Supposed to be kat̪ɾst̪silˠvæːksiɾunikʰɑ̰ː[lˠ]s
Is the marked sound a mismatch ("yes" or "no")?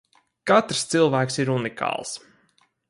no